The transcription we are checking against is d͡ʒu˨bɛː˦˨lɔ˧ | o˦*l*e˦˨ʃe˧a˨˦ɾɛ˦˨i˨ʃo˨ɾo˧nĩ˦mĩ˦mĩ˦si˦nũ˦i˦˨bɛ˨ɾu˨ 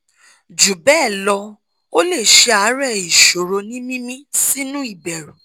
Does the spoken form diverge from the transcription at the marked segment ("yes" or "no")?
no